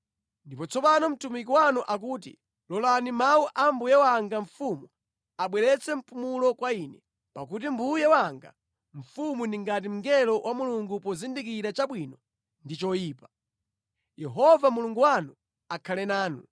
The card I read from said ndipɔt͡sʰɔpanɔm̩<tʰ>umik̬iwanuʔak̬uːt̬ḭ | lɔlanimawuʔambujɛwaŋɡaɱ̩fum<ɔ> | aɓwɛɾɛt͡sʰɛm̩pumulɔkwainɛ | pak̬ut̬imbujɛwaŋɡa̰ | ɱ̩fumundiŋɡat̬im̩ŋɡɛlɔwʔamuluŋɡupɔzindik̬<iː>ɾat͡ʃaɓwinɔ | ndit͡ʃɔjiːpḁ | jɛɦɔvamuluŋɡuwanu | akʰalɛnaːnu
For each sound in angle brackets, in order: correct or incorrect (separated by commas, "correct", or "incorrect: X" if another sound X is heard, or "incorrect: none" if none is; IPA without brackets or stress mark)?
incorrect: t, incorrect: u, incorrect: i